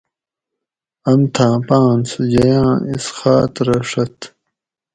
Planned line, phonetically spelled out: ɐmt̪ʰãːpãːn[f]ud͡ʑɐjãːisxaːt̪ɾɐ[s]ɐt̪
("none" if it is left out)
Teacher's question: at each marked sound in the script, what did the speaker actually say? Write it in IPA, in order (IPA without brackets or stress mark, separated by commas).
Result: s, ʂ